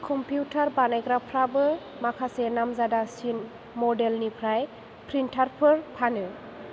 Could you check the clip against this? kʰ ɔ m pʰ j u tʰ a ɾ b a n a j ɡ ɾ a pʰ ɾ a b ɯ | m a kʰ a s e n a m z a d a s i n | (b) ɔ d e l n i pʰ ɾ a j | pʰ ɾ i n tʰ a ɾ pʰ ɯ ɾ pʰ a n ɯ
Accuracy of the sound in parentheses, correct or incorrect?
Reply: incorrect